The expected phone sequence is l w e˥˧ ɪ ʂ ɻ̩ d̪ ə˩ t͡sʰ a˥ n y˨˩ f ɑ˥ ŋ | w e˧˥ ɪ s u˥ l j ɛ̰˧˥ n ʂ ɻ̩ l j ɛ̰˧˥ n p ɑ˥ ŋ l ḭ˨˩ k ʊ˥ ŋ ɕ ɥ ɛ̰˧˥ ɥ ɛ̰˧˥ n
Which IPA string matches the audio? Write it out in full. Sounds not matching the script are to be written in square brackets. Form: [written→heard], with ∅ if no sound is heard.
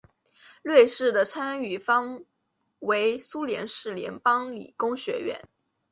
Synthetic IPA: l w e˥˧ ɪ ʂ ɻ̩ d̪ ə˩ t͡sʰ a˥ n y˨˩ f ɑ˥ ŋ | w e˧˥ ɪ s u˥ l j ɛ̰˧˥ n ʂ ɻ̩ l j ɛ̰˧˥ n p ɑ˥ ŋ l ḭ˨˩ k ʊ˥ ŋ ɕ ɥ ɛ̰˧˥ ɥ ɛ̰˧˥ n